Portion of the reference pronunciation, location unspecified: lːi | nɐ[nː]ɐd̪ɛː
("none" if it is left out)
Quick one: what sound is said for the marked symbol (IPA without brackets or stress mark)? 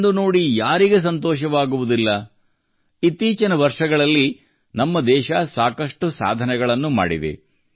mː